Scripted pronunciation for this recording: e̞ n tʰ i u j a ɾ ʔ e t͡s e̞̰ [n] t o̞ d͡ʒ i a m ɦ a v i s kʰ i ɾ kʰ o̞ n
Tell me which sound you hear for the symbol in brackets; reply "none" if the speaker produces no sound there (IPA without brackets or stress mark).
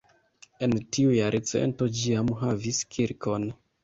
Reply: n